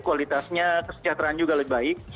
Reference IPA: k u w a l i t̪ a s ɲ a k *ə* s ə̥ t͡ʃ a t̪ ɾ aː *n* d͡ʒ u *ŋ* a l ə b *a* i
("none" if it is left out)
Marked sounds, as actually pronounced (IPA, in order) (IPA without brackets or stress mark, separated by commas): ə, n, ɡ, a